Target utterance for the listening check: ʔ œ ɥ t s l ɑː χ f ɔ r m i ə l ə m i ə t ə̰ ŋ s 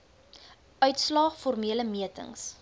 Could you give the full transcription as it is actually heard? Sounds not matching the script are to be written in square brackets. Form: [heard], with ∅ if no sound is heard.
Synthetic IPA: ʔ œ ɥ t s l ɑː χ f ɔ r m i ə l ə m i ə t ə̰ ŋ s